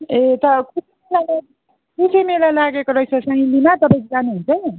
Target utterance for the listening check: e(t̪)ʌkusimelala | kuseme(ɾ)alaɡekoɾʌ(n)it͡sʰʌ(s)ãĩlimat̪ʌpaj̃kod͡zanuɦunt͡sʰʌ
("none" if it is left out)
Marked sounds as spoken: t̪, l, none, s

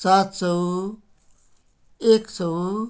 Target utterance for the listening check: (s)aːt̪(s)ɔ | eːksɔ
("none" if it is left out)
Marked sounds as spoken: s, s

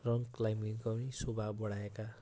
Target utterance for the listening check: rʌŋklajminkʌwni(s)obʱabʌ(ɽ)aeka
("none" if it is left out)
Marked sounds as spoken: s, ɽ

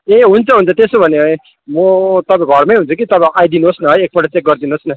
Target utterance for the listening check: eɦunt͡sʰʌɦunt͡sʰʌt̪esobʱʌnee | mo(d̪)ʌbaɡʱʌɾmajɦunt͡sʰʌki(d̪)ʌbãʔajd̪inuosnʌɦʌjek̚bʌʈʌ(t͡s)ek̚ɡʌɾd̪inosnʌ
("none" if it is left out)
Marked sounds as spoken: t̪, t̪, t͡s

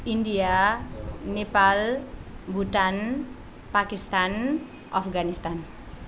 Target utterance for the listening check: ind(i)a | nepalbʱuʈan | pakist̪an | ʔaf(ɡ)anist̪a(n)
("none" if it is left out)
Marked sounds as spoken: i, ɡ, n

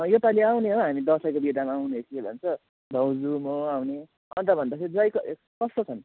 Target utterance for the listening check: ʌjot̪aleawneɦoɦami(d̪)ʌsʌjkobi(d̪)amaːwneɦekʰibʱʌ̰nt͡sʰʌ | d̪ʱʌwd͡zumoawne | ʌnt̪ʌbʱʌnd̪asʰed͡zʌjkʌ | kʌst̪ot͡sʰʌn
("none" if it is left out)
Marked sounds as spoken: d̪, d̪

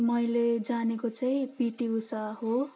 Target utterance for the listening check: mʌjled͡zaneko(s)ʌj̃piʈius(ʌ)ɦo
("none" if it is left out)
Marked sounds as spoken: t͡s, a

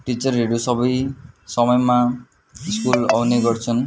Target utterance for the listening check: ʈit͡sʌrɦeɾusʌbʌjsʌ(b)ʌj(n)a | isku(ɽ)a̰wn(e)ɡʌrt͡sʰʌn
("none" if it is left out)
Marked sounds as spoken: m, m, l, e

